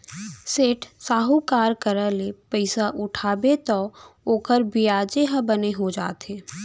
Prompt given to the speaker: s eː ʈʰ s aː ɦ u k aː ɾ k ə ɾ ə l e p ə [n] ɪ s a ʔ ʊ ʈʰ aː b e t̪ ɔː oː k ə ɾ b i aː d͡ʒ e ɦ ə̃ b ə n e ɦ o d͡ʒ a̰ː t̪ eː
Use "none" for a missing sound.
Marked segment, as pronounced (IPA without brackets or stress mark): none